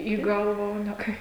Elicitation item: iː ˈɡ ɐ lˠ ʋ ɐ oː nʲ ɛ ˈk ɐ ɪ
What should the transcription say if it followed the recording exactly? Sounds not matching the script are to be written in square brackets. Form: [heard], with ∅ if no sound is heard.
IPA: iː ˈɡ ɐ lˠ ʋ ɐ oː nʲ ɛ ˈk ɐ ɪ